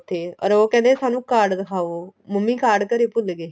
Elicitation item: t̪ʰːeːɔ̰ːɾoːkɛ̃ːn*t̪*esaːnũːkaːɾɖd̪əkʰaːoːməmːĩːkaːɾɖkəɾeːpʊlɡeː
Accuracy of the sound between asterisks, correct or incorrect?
incorrect